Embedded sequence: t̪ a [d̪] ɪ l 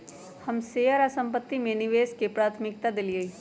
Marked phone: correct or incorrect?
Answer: correct